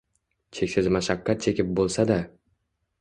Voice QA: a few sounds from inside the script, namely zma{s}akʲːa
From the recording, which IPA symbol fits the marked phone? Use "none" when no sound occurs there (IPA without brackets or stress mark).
ʃ